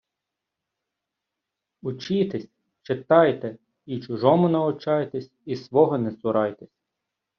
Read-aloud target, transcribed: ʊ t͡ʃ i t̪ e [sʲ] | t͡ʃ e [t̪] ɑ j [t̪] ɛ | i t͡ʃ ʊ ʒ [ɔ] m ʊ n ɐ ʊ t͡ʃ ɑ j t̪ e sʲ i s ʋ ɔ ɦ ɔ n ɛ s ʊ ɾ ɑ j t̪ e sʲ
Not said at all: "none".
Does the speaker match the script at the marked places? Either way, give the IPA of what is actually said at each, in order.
sʲ, t̪, t̪, ɔ

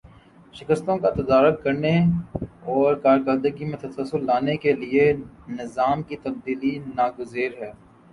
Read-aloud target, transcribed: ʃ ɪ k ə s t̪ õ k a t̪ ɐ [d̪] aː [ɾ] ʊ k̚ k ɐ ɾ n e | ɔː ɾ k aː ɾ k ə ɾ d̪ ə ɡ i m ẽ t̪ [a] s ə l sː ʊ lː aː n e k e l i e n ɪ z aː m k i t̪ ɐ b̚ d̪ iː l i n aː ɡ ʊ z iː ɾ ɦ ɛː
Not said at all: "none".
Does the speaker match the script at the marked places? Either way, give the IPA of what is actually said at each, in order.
d̪, ɾ, ɐ

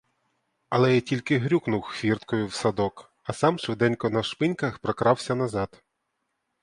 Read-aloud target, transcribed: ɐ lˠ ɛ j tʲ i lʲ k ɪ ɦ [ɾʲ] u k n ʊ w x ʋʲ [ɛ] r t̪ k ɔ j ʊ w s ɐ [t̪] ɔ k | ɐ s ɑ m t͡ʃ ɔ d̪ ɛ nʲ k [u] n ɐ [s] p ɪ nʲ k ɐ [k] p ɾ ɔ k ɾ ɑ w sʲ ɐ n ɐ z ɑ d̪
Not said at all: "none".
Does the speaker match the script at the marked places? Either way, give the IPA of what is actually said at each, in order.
ɾʲ, i, d̪, ɔ, ʃ, x

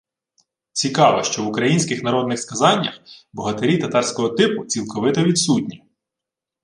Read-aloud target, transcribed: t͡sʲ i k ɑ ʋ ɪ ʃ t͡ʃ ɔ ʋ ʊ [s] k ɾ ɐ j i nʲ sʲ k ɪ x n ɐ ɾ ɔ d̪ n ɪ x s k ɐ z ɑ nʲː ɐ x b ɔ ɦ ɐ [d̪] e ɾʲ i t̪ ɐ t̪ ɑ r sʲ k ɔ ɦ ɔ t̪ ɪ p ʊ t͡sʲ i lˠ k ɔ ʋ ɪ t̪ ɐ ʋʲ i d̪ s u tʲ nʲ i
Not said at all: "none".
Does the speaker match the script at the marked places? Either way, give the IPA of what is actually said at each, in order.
none, t̪

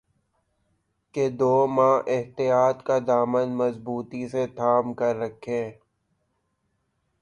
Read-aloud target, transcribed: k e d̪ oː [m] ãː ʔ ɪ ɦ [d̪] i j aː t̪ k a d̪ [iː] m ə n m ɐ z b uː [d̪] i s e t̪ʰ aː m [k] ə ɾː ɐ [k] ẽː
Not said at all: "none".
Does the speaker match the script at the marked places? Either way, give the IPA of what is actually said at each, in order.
m, t̪, aː, t̪, k, kʰ

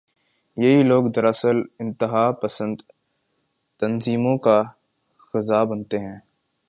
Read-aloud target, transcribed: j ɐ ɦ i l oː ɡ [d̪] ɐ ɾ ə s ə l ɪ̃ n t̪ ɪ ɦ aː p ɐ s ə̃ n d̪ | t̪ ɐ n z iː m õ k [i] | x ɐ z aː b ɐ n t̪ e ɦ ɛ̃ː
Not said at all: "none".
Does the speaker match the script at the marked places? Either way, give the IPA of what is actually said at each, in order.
d̪, a

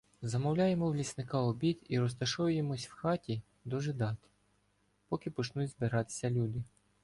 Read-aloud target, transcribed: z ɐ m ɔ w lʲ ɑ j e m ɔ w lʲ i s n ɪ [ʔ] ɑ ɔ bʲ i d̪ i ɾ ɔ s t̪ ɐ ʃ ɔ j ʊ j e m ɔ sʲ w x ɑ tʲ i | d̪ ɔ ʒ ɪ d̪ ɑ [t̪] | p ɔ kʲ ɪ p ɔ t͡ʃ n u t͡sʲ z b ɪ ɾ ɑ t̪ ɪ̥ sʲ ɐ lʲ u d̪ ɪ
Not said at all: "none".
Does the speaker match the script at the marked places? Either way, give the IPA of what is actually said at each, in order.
k, t̪

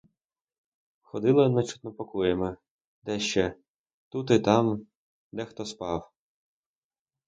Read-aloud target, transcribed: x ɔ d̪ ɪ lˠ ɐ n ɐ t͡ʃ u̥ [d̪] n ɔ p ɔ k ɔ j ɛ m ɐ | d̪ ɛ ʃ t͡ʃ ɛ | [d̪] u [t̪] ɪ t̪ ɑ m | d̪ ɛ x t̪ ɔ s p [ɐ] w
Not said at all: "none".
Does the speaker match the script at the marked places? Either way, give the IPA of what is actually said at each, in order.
t̪, t̪, t̪, ɑ

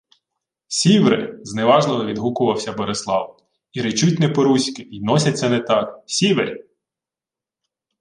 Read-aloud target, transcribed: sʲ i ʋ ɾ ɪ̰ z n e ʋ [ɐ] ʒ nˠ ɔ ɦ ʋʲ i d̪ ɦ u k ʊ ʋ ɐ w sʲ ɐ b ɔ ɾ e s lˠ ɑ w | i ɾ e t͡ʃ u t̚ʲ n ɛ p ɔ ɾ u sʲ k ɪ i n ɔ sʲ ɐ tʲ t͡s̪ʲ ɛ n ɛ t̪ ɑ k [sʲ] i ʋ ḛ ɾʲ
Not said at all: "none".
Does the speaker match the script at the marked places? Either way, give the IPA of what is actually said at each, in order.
ɑ, sʲ

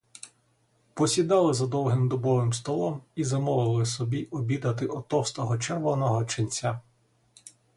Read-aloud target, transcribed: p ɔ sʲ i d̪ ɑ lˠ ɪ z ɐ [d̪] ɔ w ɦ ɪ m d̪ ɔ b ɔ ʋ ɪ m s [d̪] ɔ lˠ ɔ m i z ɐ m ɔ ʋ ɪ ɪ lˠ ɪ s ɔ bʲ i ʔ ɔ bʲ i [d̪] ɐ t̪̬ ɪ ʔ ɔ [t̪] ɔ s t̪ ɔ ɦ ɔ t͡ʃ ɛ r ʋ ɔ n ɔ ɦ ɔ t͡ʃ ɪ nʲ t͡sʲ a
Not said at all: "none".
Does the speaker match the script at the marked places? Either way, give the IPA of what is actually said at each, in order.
d̪, t̪, d̪, t̪

